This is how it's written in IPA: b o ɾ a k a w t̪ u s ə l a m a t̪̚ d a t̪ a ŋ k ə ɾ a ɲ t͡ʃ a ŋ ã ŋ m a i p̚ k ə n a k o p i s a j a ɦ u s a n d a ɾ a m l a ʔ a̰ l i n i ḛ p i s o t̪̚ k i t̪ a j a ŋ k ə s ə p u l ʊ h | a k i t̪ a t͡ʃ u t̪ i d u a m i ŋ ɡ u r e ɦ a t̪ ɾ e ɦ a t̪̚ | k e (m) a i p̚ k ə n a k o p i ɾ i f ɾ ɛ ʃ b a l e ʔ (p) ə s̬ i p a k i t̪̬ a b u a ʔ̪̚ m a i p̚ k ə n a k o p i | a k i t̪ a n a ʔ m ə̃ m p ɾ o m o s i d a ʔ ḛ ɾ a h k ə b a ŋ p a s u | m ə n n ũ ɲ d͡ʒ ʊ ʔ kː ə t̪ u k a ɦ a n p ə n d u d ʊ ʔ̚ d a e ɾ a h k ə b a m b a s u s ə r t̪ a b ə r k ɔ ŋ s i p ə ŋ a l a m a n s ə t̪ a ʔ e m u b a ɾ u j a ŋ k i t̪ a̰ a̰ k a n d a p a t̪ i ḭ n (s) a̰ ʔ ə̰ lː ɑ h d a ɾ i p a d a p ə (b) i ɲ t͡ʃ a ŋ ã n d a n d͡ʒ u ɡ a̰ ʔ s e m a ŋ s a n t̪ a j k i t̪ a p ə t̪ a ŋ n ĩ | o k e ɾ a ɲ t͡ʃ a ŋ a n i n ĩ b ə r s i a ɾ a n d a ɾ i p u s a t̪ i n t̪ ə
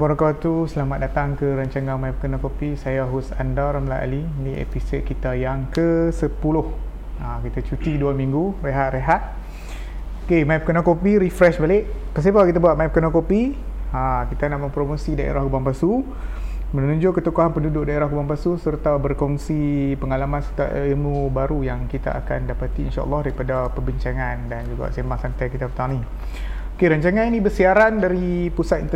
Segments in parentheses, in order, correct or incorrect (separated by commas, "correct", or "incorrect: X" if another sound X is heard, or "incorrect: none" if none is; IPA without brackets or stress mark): correct, correct, incorrect: ʃ, correct